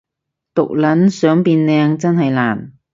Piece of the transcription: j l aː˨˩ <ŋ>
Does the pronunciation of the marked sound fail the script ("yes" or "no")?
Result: yes